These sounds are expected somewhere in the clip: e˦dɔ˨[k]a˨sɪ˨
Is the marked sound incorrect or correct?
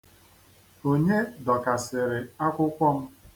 correct